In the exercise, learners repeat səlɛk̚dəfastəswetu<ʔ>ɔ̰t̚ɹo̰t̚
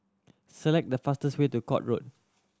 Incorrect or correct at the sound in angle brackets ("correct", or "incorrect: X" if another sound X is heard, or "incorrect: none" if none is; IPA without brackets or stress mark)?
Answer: incorrect: k